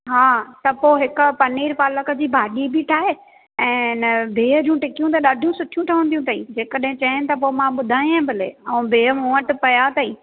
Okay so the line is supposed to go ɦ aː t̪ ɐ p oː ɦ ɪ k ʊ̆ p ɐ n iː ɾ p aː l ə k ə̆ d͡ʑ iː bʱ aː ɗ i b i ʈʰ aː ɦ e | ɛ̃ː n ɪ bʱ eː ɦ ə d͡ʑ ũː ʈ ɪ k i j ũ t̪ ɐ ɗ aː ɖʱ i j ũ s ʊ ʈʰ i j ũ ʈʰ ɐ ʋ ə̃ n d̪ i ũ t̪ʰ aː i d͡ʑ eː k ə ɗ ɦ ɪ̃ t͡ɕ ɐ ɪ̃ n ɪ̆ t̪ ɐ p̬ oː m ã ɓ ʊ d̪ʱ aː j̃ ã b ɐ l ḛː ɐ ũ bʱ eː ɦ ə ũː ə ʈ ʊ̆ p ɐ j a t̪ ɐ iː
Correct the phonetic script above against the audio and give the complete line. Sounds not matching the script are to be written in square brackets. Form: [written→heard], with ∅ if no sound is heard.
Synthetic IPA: ɦ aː t̪ ɐ p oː ɦ ɪ k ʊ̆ p ɐ n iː ɾ p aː l ə k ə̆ d͡ʑ iː bʱ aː ɗ i b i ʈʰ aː ɦ e | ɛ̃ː n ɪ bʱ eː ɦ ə d͡ʑ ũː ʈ ɪ k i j ũ t̪ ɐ ɗ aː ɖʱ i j ũ s ʊ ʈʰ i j ũ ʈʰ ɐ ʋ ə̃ n d̪ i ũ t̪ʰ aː i d͡ʑ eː k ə ɗ ɦ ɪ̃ t͡ɕ ɐ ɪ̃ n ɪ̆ t̪ ɐ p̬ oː m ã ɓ ʊ d̪ʱ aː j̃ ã b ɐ l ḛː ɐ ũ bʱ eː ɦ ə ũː ə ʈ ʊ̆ p ɐ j a t̪ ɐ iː